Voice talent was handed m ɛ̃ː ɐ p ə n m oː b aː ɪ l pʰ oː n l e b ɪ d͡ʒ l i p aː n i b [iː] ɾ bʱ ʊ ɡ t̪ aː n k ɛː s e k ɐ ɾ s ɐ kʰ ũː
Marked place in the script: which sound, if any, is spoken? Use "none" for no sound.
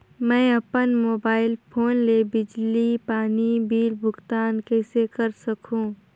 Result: iː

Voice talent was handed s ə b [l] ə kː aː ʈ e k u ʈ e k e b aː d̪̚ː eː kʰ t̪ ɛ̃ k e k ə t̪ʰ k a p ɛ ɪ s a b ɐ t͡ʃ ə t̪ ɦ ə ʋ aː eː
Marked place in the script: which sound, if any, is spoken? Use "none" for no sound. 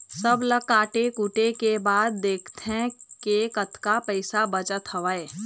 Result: l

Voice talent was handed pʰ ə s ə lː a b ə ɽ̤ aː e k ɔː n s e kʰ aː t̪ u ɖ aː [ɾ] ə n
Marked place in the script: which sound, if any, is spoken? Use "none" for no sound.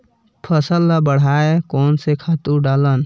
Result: l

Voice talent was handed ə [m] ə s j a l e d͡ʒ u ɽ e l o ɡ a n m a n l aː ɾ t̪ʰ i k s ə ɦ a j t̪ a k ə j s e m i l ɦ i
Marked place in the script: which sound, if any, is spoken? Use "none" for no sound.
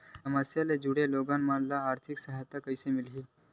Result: m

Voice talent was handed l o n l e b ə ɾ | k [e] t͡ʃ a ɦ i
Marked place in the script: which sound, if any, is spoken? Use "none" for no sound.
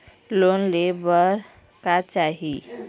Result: a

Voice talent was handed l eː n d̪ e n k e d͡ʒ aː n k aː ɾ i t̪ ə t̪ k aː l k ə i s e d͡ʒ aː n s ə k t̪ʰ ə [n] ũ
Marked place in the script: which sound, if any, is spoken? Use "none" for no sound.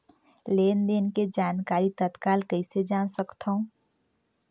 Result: none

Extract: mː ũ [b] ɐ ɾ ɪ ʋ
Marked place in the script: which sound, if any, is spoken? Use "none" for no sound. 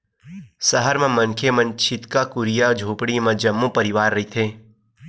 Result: p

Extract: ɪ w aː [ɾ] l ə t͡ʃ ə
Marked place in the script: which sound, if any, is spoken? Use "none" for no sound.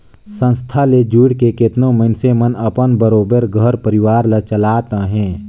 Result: ɾ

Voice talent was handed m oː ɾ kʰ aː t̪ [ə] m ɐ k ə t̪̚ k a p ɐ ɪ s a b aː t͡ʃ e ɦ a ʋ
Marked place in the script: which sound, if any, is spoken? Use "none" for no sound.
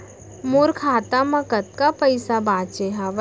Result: a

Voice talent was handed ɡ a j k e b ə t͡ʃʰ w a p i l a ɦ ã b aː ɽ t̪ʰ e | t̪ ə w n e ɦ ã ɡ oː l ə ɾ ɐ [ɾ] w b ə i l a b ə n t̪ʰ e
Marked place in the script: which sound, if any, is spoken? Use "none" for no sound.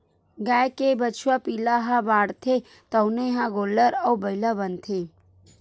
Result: none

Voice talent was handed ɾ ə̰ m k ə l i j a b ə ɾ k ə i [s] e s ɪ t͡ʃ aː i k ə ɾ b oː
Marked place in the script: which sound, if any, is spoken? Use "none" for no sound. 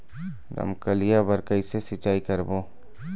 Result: s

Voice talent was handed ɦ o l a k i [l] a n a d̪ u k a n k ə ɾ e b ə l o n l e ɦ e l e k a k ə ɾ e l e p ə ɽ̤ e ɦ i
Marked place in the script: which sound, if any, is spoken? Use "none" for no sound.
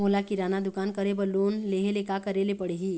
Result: ɾ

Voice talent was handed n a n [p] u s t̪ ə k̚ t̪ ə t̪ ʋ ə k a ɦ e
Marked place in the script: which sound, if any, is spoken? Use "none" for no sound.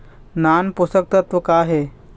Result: p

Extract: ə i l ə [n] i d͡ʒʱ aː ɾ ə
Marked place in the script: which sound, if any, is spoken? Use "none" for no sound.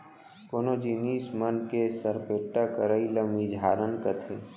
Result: m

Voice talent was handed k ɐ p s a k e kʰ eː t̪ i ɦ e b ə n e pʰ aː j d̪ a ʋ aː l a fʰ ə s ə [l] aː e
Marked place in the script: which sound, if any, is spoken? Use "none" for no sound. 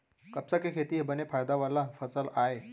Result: l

